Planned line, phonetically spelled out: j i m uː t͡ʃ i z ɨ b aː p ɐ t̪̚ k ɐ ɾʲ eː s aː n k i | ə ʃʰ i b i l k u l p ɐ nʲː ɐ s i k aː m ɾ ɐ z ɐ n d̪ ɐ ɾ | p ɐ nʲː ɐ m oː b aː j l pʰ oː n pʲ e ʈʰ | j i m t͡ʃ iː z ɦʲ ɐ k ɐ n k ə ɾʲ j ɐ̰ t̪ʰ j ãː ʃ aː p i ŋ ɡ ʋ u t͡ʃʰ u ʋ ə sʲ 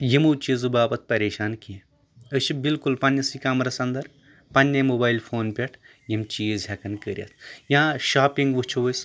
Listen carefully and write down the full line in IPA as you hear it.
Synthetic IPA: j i m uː t͡ʃ i z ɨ b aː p ɐ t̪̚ p ɐ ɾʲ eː ʃ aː n k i | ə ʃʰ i b i l k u l p ɐ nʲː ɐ s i k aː m ɾ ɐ s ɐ n d̪ ɐ ɾ | p ɐ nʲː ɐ m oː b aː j l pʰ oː n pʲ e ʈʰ | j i m t͡ʃ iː z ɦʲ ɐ k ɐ n k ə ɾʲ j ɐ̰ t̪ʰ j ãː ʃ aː p i ŋ ɡ ʋ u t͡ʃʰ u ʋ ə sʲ